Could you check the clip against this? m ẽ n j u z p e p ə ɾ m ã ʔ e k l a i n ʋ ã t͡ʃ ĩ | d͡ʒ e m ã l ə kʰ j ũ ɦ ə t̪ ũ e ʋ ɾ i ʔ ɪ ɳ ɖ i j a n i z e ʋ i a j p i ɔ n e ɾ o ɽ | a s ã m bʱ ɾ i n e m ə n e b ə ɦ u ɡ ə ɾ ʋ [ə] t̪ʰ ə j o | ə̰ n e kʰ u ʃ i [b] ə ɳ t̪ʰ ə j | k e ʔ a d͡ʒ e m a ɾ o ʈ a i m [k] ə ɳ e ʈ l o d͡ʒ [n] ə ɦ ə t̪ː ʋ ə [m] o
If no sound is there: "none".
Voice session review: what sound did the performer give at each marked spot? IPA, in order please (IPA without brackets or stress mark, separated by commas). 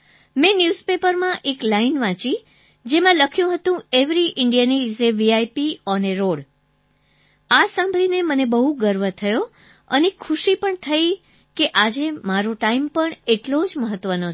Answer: ə, p, p, m, n